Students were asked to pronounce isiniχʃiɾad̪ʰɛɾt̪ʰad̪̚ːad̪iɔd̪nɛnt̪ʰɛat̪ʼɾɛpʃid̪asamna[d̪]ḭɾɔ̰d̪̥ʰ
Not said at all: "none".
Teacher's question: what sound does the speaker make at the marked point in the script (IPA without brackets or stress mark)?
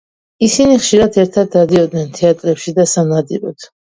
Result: d̪